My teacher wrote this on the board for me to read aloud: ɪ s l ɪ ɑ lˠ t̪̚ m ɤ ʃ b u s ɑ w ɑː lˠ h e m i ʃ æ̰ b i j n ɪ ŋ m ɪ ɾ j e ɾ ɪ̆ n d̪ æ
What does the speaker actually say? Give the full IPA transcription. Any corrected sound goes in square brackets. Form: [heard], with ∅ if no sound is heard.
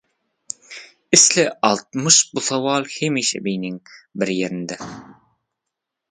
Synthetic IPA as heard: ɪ s l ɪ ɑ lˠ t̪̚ m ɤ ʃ b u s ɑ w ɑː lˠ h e m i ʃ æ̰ b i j n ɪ ŋ [b] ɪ ɾ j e ɾ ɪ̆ n d̪ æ